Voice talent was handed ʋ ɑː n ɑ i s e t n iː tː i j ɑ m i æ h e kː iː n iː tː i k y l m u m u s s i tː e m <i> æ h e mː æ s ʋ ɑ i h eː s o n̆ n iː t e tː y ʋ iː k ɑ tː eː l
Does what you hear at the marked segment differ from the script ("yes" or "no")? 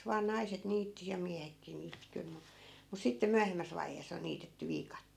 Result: yes